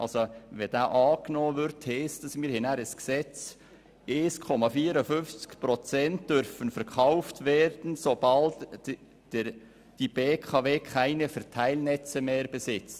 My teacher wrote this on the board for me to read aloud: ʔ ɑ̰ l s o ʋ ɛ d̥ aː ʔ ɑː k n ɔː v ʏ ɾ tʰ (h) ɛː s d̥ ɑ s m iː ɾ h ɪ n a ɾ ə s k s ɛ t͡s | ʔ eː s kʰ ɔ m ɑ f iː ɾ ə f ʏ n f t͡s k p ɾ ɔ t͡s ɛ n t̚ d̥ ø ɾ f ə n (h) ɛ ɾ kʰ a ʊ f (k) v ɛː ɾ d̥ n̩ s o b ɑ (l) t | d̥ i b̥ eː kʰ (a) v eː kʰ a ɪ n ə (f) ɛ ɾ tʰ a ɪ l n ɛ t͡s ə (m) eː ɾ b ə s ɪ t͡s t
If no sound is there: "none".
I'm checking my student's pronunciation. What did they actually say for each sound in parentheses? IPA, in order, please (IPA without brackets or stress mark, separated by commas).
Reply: h, f, t, l, ɑ, f, m